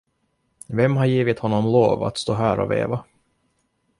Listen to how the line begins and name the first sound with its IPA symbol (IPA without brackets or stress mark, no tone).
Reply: v